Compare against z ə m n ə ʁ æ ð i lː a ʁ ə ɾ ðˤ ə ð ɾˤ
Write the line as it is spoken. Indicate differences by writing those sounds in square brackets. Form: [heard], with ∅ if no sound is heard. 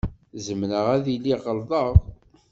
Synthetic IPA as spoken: z ə m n ə ʁ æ ð i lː [i] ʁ ə [l] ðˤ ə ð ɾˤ